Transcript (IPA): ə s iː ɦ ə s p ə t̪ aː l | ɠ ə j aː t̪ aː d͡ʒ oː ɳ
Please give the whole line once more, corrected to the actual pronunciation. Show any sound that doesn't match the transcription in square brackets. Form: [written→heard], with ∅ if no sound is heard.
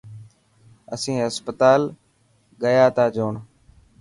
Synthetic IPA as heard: ə s [iː→ĩː] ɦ ə s p ə t̪ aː l | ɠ ə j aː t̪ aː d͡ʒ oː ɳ